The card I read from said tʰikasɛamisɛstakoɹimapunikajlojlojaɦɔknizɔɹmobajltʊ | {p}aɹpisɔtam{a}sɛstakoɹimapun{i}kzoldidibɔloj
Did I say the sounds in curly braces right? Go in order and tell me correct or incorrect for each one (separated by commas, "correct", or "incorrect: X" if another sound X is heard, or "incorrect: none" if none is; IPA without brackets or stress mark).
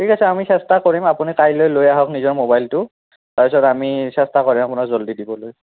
incorrect: t, incorrect: i, incorrect: a